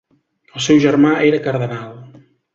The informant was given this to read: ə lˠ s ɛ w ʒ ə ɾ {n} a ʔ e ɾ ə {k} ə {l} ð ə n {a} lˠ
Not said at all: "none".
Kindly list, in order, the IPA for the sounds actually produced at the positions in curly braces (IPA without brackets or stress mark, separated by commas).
m, k, ɾ, a